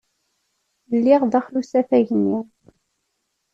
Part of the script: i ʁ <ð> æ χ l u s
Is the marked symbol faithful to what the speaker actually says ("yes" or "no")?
yes